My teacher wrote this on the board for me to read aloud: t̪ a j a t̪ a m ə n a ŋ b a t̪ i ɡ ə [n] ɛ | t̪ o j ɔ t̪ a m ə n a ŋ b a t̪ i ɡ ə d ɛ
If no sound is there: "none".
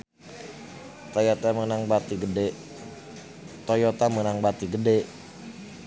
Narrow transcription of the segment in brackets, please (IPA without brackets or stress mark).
d